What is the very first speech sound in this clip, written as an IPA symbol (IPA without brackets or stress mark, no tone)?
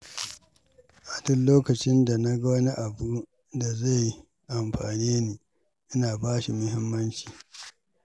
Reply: ʔ